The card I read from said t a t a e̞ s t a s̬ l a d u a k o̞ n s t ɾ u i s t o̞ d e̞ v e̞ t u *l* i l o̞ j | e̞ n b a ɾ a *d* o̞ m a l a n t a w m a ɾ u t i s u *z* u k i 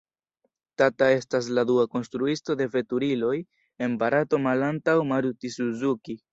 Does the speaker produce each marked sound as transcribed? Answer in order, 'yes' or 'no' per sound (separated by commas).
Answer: no, no, yes